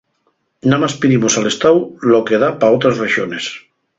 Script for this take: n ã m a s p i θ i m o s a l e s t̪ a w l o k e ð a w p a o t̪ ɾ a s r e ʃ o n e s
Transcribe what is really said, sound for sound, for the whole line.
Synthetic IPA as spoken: n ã m a s p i ð i m o s a l e s t̪ a w l o k e ð a p a o t̪ ɾ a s r e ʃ o n e s